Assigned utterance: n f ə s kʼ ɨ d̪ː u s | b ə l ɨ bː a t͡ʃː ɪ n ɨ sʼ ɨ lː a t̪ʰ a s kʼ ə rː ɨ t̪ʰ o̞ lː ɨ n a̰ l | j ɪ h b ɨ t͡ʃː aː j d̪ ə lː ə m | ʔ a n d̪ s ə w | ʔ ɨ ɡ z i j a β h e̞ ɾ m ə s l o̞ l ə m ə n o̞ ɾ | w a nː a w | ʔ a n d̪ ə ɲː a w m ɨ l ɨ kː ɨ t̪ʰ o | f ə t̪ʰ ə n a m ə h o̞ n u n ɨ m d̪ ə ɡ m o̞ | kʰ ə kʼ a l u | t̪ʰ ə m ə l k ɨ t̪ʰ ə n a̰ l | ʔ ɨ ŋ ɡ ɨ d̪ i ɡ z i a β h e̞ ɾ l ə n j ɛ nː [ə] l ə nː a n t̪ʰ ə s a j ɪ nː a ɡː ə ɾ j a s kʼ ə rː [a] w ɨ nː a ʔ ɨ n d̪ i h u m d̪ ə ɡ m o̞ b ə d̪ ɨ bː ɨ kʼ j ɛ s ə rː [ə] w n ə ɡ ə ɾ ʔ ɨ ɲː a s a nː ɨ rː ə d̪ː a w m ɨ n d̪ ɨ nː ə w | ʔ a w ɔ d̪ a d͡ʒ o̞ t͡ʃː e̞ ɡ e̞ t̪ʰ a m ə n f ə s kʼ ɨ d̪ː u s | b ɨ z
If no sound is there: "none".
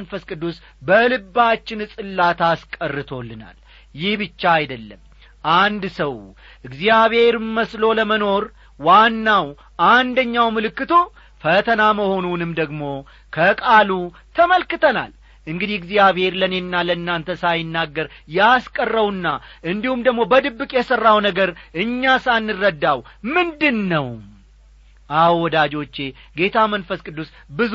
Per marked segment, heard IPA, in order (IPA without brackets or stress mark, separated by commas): a, ə, a